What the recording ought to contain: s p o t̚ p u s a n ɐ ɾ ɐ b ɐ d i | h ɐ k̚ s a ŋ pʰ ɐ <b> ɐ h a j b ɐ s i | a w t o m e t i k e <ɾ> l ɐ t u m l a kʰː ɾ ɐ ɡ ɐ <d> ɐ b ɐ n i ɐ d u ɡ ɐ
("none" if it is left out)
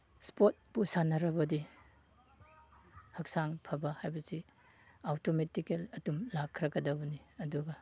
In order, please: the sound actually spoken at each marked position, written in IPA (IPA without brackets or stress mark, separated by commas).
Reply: b, none, d